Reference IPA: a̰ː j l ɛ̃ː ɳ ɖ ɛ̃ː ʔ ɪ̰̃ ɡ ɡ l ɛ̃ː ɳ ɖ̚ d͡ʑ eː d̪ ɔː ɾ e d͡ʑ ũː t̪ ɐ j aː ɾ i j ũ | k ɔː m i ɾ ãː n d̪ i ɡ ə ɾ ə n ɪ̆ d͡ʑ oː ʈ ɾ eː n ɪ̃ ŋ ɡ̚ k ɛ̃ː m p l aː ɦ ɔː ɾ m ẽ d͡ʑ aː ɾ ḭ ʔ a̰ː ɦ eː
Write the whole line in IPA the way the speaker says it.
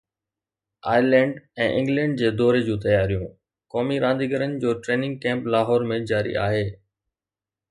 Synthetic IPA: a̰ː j l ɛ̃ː ɳ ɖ ɛ̃ː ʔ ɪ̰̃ ŋ ɡ l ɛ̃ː ɳ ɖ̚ d͡ʑ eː d̪ ɔː ɾ e d͡ʑ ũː t̪ ɐ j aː ɾ i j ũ | k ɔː m i ɾ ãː n d̪ i ɡ ə ɾ ə n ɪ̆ d͡ʑ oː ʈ ɾ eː n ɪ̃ ŋ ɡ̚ k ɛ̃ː m p l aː ɦ ɔː ɾ m ẽ d͡ʑ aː ɾ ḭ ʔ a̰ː ɦ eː